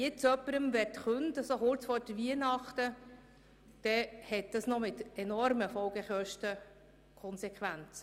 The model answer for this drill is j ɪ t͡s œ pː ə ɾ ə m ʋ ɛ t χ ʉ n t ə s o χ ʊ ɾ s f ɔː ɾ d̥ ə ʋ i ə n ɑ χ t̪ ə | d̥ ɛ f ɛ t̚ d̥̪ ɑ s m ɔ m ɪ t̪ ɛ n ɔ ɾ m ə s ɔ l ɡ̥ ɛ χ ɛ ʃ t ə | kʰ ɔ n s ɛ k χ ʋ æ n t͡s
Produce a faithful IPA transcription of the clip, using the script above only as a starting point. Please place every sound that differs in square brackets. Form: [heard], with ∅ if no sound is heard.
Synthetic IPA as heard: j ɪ t͡s œ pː ə ɾ ə m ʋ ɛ t χ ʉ n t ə s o χ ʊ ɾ [t͡s] f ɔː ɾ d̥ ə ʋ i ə n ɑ χ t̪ ə | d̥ ɛ [h] ɛ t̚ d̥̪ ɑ s [n] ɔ m ɪ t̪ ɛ n ɔ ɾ m ə [f] ɔ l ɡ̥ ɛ χ [œ] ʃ t ə | kʰ ɔ n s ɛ k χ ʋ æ n t͡s